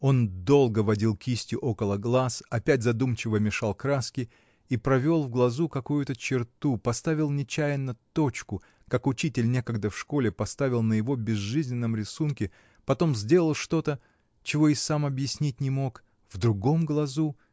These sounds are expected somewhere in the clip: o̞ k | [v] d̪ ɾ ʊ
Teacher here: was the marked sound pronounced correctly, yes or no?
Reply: yes